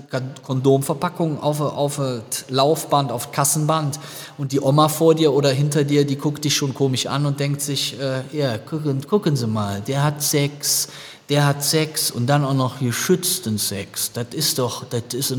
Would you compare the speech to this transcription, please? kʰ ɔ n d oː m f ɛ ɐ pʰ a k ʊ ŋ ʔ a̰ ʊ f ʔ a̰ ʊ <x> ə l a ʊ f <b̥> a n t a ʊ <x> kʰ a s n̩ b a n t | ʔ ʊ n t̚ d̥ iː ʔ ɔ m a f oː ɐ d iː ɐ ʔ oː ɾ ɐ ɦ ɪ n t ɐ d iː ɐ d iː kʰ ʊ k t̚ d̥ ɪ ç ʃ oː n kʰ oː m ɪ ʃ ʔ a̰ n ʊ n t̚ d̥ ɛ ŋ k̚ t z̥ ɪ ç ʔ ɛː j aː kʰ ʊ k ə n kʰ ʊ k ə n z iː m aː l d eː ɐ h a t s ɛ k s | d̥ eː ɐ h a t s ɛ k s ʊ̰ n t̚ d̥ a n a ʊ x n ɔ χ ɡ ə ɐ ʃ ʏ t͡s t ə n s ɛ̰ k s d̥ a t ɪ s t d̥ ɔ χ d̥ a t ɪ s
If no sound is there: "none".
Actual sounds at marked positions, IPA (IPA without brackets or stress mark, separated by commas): f, b̥, f